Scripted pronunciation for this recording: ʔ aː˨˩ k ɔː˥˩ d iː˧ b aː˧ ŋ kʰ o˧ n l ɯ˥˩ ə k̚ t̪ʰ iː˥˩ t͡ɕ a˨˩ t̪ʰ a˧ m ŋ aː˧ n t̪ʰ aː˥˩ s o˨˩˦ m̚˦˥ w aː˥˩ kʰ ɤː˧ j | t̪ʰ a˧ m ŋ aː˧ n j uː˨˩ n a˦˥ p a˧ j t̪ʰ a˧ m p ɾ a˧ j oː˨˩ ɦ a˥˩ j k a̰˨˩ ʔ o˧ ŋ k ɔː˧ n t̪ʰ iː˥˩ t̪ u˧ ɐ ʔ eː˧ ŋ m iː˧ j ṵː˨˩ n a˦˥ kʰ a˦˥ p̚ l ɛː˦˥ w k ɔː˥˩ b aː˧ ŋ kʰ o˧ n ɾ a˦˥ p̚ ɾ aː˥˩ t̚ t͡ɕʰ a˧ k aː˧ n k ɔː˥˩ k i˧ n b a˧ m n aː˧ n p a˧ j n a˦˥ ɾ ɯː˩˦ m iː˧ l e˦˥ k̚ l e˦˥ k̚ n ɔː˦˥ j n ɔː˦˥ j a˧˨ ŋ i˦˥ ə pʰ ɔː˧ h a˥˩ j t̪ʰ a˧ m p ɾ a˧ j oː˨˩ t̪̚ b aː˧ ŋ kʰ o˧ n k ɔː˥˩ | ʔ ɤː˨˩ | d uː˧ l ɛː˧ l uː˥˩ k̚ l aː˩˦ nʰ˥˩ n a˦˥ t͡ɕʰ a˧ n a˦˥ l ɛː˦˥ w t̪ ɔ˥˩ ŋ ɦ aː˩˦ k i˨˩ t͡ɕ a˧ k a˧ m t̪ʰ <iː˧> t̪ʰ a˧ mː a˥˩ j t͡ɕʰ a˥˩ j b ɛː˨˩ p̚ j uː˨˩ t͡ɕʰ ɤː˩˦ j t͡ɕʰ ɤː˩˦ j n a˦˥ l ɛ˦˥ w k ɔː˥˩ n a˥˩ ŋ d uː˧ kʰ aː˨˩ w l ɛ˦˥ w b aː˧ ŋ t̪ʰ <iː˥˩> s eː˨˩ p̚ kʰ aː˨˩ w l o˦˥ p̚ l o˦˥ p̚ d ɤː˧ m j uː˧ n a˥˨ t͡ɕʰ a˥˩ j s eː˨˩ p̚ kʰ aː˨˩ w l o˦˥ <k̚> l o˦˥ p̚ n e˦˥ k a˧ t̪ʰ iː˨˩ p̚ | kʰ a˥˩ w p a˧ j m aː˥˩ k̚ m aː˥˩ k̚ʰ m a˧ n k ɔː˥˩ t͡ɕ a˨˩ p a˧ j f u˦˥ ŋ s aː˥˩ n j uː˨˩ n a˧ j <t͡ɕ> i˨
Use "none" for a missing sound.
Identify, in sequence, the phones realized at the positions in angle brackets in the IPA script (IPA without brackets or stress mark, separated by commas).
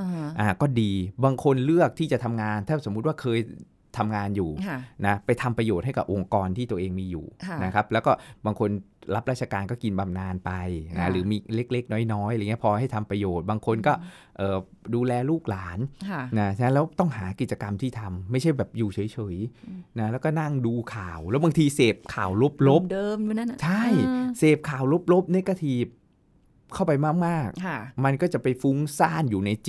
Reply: iː˥˩, iː˧, p̚, t͡ɕ